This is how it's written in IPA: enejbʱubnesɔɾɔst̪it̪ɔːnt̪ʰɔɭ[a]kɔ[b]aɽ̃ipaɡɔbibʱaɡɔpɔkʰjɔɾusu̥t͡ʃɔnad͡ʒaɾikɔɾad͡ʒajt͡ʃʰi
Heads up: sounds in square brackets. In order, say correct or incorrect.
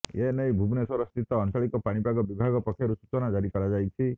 incorrect: i, incorrect: p

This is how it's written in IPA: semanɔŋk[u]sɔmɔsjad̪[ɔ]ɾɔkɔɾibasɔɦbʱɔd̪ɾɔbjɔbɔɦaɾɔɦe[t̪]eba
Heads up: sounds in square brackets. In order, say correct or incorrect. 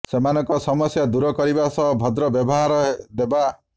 incorrect: ɔ, incorrect: u, incorrect: d̪

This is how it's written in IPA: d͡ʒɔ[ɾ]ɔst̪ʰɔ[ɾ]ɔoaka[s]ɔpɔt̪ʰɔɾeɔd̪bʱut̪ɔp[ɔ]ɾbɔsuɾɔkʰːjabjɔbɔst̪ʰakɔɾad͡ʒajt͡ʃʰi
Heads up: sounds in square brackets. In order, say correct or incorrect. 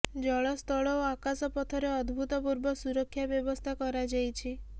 incorrect: ɭ, incorrect: ɭ, correct, incorrect: u

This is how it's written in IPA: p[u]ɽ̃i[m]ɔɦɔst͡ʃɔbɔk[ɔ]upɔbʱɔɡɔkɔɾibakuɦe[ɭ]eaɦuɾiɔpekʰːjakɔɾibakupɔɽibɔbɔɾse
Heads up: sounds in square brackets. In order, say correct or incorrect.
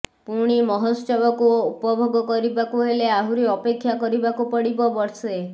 correct, correct, incorrect: u, incorrect: l

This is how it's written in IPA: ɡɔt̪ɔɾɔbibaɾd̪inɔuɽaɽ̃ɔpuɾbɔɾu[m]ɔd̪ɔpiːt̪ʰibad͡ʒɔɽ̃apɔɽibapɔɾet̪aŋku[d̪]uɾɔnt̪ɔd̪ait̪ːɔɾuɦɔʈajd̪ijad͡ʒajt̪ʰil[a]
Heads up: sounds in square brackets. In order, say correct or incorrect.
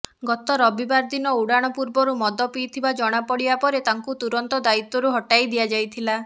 correct, incorrect: t̪, correct

